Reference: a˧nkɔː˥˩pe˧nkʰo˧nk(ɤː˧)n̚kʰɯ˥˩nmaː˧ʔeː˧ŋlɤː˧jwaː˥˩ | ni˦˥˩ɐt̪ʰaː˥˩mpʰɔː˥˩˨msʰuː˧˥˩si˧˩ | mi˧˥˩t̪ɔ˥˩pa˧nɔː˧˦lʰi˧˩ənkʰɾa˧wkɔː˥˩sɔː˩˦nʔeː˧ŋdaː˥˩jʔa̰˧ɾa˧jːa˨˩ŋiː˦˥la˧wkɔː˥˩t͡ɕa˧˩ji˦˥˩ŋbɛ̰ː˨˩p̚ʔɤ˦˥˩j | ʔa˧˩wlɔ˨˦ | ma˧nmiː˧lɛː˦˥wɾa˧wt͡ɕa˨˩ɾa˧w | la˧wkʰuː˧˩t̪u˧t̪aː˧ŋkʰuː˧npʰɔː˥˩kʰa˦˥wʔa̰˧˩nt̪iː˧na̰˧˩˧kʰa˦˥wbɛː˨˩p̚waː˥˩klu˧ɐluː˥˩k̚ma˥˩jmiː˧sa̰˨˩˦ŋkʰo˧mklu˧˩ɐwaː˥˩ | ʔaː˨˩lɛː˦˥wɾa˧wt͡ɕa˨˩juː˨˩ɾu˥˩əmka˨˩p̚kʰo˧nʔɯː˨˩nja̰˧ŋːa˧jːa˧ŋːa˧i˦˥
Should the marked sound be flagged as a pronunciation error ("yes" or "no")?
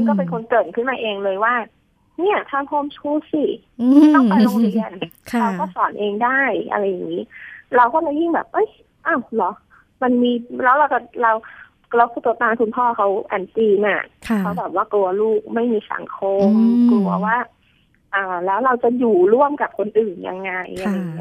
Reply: yes